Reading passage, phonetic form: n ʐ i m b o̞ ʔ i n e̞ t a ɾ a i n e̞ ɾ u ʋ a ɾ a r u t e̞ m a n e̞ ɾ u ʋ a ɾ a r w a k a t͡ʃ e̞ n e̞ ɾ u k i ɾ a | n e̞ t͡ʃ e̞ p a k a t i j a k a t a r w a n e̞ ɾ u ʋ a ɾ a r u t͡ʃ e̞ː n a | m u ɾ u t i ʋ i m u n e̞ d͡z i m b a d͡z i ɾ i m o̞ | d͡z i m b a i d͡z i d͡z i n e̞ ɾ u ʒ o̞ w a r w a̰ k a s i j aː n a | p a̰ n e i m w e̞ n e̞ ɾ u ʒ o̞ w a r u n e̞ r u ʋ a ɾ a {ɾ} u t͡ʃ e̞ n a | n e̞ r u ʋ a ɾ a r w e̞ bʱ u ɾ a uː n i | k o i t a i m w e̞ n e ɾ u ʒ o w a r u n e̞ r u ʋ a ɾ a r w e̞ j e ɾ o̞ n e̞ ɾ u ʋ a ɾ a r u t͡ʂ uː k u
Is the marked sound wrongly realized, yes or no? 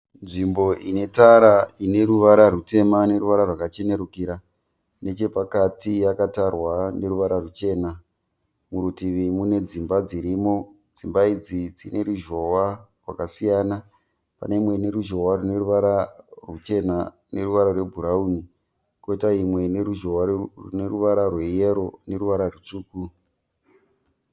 yes